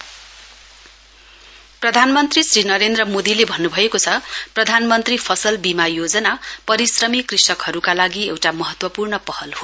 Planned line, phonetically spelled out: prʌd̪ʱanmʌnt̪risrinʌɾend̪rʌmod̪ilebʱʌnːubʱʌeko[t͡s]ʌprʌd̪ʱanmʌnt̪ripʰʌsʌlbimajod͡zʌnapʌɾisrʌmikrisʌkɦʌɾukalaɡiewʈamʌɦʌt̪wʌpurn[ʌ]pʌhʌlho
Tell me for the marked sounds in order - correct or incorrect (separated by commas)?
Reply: incorrect, correct